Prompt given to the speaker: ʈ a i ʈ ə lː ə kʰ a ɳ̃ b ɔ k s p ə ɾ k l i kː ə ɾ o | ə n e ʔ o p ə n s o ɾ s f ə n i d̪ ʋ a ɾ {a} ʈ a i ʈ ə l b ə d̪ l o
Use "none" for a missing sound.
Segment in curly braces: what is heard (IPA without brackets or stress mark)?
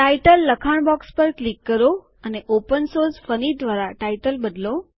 a